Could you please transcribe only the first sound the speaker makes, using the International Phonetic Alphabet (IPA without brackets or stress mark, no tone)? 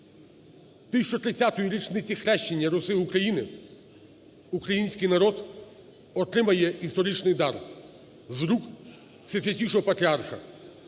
t̪